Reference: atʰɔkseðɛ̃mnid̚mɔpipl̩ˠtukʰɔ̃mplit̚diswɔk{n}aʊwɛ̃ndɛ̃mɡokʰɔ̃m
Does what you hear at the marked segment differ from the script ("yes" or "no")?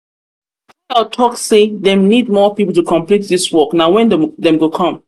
no